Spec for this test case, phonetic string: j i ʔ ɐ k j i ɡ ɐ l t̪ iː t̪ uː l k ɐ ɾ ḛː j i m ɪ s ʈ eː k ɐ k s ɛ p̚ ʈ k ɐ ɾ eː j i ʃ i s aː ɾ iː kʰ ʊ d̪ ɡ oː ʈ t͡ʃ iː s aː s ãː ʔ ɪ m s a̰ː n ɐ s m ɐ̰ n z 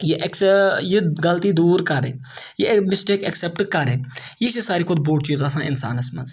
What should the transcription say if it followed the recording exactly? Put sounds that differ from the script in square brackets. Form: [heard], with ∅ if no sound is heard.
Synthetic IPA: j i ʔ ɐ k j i ɡ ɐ l t̪ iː [d̪] uː [ɾ] k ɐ ɾ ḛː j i m ɪ s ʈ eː k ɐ k s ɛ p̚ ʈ k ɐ ɾ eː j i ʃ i s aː ɾ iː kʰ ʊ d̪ [b] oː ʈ t͡ʃ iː [z] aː s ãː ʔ ɪ [n] s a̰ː n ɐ s m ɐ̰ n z